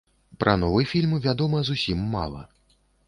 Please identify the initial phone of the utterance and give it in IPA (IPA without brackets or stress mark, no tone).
p